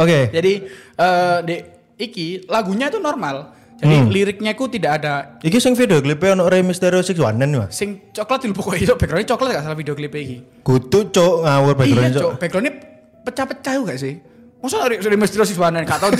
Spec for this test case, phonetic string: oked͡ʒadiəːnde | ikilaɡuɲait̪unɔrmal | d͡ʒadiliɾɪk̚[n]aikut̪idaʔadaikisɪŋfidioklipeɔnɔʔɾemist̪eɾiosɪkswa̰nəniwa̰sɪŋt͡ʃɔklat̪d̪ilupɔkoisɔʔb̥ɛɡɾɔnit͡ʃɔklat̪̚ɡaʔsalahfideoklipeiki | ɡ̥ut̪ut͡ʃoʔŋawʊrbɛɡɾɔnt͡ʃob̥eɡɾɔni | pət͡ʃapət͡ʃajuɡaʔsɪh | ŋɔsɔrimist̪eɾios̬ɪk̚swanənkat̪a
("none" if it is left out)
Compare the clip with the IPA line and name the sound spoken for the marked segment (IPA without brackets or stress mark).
ɲ